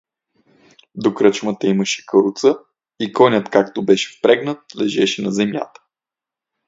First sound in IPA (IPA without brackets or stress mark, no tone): d̪